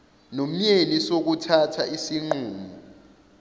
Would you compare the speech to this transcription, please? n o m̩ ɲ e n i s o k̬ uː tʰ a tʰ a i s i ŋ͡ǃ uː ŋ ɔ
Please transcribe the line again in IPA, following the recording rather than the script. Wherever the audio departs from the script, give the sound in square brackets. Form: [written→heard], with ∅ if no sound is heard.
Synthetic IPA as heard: n o m̩ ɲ e n i s o k̬ [uː→u] tʰ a tʰ a i s i ŋ͡ǃ uː [ŋ→m] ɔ

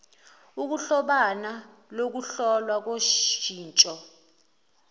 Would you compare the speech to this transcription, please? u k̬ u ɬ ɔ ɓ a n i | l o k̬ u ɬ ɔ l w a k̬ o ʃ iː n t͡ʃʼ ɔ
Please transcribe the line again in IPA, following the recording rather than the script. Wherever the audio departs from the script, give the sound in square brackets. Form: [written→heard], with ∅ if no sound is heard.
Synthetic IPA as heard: u k̬ u ɬ ɔ ɓ a n [i→a] | l o k̬ u ɬ ɔ l w a k̬ o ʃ iː n t͡ʃʼ ɔ

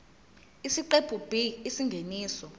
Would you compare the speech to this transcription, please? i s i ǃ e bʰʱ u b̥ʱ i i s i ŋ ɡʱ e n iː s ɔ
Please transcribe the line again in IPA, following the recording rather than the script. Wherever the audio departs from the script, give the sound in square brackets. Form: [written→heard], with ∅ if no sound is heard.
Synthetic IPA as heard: i s i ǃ e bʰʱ u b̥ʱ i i s i ŋ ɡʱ e n iː s ɔ

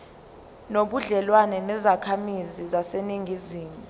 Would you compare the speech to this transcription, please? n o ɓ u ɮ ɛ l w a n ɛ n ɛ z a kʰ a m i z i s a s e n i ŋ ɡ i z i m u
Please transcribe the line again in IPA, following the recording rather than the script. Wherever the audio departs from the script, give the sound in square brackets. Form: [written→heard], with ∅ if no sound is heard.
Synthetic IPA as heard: n o ɓ u ɮ ɛ l w a n ɛ n ɛ z a kʰ a m i z i [s→z] a s e n i ŋ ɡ i z [i→iː] m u

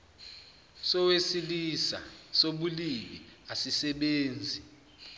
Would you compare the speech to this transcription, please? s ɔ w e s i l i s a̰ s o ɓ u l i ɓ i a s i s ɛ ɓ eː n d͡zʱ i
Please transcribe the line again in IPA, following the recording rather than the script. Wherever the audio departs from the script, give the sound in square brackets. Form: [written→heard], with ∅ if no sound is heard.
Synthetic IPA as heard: s ɔ w e s i l i s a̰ s o ɓ u l i ɓ i a s i s ɛ ɓ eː n d͡zʱ i

